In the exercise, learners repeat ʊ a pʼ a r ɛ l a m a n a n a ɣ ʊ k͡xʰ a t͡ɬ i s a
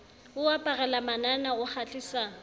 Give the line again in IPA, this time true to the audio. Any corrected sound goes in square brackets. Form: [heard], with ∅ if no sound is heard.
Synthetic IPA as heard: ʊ a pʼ a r ɛ l a m a n a n a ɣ ʊ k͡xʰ a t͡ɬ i s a